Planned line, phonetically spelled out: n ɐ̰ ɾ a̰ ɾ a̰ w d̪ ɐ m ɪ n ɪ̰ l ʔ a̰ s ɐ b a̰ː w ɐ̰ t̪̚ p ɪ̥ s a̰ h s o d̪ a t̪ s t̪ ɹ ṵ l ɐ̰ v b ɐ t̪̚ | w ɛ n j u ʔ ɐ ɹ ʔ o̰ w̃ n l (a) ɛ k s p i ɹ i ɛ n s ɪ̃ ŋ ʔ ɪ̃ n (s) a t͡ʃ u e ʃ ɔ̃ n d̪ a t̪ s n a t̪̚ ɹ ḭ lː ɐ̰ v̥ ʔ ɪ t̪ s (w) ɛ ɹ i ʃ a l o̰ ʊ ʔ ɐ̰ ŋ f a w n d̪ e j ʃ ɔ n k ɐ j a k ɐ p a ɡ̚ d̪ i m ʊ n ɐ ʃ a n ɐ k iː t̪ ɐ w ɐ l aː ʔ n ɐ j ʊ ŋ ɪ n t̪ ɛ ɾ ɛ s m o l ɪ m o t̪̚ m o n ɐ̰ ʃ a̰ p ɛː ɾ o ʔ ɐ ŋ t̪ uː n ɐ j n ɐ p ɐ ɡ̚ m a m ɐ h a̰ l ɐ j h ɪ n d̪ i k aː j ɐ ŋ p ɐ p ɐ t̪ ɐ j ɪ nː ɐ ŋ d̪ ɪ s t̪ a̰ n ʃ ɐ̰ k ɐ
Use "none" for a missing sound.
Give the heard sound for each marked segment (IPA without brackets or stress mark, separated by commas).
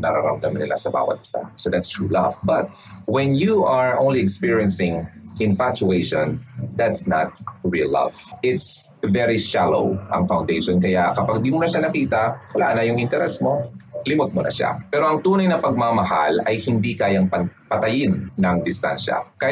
i, f, v